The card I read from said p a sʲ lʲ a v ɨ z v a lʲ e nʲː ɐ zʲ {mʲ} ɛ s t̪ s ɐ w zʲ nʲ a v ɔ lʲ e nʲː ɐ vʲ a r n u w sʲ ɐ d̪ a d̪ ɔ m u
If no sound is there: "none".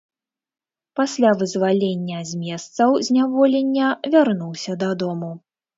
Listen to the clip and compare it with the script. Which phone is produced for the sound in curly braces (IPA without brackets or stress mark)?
mʲ